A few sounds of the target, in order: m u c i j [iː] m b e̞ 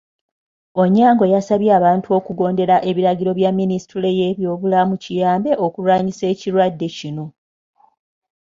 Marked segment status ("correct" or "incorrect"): incorrect